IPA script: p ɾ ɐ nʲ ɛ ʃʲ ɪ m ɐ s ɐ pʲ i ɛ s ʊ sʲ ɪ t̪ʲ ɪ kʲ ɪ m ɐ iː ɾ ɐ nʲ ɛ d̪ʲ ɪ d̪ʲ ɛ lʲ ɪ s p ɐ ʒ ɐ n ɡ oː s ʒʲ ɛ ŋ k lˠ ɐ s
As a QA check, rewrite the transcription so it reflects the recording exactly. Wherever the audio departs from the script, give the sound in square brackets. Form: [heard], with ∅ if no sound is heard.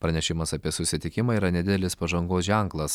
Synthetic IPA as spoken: p ɾ ɐ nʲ ɛ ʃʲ ɪ m ɐ s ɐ pʲ i ɛ s ʊ sʲ ɪ t̪ʲ ɪ kʲ ɪ m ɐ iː ɾ ɐ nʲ ɛ d̪ʲ ɪ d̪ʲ ɛ lʲ ɪ s p ɐ ʒ ɐ [ŋ] ɡ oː s ʒʲ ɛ ŋ k lˠ ɐ s